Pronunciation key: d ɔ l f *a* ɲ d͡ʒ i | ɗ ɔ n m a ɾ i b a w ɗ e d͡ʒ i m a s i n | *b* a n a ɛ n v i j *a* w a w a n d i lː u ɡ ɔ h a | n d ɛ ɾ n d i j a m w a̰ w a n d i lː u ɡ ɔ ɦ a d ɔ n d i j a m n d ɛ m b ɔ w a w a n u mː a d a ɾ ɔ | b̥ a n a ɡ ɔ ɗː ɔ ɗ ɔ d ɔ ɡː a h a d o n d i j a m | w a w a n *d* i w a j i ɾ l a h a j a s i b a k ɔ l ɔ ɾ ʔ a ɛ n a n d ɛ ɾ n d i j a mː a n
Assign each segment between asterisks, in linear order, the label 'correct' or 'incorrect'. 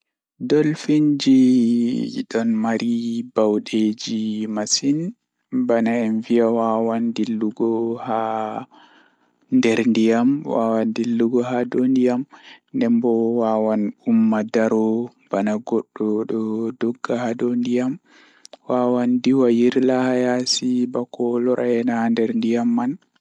incorrect, correct, correct, correct

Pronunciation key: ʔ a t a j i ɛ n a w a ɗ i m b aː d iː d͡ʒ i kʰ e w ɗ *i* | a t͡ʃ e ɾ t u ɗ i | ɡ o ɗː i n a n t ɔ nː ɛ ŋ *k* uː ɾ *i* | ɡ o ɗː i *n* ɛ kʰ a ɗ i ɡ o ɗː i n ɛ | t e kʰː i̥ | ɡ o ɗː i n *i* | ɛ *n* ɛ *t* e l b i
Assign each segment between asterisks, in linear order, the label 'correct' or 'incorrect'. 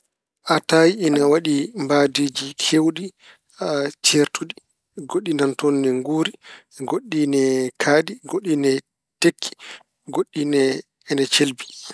correct, incorrect, correct, correct, incorrect, correct, incorrect

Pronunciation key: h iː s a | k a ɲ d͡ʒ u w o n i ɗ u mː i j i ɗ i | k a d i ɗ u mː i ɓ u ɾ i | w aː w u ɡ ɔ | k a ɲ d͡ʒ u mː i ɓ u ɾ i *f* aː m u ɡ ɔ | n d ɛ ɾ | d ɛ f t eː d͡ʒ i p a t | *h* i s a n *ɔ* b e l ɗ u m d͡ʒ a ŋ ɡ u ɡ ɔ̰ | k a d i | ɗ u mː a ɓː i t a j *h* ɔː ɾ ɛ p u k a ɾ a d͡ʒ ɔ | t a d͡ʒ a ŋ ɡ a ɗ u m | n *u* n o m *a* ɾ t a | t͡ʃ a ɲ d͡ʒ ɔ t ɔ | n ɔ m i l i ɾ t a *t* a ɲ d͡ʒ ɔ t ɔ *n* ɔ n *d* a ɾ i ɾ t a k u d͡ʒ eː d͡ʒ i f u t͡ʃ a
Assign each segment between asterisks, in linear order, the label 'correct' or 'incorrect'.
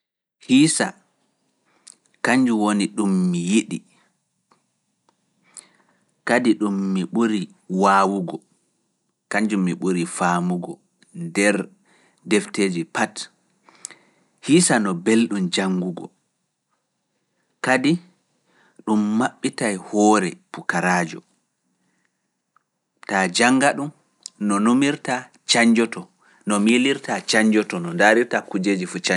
correct, correct, correct, correct, incorrect, incorrect, incorrect, correct, correct

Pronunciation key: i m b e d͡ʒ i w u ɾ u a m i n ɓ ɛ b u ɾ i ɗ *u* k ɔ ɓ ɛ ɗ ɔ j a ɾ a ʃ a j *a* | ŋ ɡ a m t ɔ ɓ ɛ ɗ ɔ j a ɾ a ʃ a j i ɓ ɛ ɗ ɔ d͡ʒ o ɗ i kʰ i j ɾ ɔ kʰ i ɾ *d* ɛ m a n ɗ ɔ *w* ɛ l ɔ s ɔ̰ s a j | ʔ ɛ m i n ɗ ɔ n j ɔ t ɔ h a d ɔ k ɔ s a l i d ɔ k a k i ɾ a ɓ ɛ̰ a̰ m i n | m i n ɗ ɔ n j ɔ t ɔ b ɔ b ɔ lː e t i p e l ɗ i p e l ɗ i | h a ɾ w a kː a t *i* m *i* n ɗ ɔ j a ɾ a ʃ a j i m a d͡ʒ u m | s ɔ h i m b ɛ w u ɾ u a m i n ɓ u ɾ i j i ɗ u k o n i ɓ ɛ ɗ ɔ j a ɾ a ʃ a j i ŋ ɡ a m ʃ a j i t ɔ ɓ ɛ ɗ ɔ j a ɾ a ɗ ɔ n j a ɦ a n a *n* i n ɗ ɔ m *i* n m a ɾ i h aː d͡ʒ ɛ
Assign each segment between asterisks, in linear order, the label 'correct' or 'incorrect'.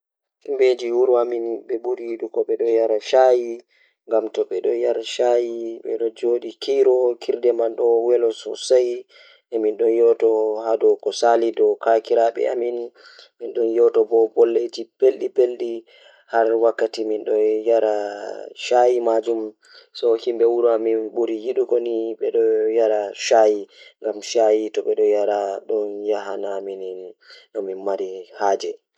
correct, incorrect, correct, correct, correct, correct, incorrect, correct

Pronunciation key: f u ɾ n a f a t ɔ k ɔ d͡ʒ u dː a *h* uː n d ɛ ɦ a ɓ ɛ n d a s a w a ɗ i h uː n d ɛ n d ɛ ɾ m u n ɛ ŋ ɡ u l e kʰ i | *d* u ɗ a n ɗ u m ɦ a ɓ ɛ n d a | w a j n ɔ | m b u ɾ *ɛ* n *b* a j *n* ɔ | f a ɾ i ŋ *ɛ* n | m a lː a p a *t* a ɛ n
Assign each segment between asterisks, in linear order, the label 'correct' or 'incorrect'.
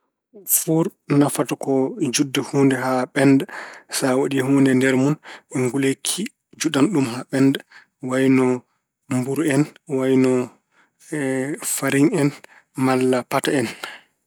correct, incorrect, correct, incorrect, correct, correct, correct

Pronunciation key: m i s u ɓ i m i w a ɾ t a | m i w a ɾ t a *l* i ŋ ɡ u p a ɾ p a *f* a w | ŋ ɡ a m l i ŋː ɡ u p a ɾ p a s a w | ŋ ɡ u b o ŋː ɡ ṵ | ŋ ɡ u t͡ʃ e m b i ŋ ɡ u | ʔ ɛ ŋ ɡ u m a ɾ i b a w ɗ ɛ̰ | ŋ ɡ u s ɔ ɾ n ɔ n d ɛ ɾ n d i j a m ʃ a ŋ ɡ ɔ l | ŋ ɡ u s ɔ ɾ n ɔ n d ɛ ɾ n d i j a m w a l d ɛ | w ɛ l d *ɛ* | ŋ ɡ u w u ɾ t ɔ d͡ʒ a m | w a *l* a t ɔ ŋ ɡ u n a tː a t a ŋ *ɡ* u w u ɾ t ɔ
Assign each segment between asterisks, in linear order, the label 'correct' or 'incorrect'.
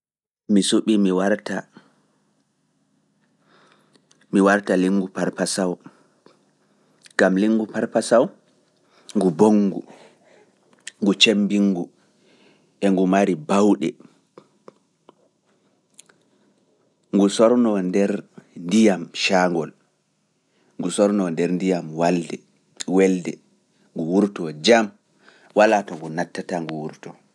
correct, incorrect, correct, correct, correct

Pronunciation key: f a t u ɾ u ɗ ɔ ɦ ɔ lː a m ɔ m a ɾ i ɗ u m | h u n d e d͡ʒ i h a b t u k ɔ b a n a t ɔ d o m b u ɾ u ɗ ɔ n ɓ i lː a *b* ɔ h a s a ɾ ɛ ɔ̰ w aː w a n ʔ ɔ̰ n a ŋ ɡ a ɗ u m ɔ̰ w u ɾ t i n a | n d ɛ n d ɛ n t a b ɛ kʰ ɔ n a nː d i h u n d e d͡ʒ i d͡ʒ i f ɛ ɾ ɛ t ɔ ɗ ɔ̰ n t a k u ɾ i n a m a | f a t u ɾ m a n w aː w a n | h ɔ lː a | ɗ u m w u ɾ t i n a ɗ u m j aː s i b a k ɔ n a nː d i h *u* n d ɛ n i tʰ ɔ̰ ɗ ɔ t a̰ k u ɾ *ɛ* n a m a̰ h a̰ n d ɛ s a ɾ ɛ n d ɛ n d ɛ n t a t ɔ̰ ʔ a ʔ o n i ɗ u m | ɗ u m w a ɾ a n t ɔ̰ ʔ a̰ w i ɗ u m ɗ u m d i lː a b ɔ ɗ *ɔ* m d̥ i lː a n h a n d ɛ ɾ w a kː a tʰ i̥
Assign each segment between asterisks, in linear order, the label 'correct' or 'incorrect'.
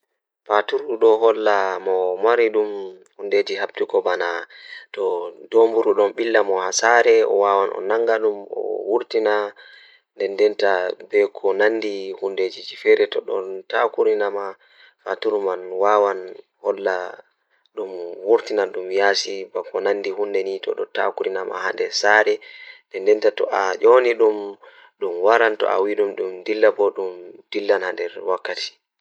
incorrect, correct, incorrect, incorrect

